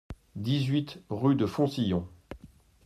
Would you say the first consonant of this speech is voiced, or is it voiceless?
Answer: voiced